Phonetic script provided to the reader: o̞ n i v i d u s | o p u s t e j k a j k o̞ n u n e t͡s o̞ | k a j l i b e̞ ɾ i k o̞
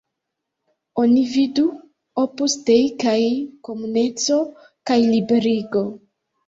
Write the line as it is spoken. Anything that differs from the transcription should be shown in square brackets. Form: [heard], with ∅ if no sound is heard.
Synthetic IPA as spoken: o̞ n i v i d u [∅] | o p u s t e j k a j k o̞ [m] u n e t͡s o̞ | k a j l i b e̞ ɾ i [ɡ] o̞